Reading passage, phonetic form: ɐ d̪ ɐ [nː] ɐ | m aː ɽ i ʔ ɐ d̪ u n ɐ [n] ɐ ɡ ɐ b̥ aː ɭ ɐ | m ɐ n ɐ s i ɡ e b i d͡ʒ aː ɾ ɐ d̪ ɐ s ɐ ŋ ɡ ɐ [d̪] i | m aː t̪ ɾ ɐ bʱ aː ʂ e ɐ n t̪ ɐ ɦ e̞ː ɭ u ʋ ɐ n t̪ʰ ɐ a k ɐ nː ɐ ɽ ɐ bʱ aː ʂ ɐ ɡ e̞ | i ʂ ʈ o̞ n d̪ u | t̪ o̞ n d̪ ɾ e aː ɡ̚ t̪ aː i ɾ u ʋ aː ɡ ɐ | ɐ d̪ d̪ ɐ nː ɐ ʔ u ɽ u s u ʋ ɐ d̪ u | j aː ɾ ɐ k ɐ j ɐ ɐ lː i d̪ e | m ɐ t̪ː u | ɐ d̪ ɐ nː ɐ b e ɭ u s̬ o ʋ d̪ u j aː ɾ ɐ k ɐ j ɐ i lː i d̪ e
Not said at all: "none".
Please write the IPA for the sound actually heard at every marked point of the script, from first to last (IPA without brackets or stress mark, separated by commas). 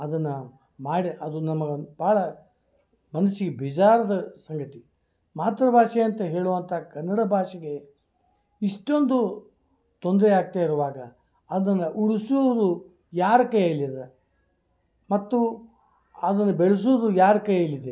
nː, m, t̪